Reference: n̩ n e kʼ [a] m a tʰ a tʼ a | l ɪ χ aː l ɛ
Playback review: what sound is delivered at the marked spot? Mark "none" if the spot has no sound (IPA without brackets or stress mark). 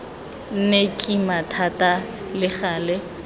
i